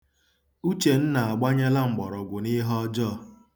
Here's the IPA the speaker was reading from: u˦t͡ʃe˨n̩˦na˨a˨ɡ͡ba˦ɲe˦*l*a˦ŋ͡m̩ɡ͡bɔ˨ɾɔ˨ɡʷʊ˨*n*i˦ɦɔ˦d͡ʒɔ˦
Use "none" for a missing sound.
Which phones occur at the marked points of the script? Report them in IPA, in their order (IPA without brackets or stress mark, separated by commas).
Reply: l, n